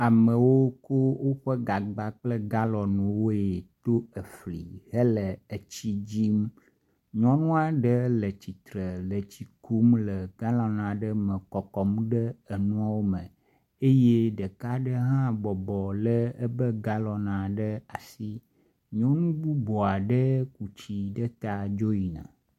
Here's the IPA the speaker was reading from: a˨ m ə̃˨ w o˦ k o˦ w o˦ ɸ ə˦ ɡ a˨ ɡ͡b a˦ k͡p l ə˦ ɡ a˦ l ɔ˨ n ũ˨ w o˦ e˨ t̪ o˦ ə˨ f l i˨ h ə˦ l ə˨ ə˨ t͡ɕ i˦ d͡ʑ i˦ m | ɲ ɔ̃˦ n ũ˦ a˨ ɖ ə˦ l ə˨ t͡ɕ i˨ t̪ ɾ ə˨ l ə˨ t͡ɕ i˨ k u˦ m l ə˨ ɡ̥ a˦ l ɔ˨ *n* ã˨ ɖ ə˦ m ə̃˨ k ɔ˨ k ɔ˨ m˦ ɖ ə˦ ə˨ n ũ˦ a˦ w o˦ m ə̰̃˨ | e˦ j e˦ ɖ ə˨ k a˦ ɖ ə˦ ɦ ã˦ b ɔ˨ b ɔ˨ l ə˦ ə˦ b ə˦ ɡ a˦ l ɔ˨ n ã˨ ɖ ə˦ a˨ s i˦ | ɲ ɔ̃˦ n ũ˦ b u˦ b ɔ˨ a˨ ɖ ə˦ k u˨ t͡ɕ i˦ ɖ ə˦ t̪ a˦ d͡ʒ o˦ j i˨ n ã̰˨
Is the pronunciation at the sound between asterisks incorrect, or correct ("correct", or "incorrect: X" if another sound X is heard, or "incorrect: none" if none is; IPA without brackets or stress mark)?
correct